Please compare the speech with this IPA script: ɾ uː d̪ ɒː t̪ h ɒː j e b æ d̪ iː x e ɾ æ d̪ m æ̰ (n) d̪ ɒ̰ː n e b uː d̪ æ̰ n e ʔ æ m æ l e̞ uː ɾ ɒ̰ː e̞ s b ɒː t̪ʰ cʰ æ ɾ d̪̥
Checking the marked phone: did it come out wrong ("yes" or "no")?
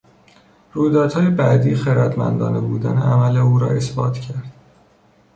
no